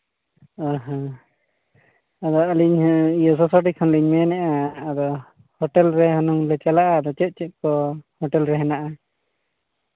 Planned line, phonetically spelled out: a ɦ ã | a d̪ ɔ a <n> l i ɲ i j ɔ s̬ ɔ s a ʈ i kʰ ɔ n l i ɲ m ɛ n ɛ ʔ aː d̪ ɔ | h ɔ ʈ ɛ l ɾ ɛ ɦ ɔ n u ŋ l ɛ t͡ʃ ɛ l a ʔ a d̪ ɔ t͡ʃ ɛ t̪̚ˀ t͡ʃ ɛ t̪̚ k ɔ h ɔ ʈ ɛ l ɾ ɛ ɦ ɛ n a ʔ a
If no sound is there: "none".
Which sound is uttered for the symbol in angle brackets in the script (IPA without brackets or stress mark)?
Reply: none